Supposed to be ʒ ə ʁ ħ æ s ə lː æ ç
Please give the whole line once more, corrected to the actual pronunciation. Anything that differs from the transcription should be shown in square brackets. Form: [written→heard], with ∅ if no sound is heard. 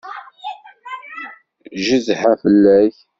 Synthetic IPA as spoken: ʒ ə [ʁ→z] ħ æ [s→f] ə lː æ ç